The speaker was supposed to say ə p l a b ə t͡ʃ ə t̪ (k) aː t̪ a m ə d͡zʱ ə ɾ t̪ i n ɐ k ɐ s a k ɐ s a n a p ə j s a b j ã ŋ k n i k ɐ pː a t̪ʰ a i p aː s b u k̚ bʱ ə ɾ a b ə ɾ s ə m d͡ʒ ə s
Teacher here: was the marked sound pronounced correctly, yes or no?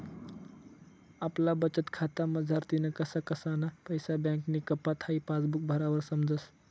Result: no